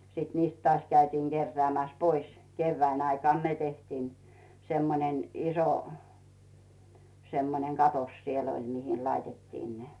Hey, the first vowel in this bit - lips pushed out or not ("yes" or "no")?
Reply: no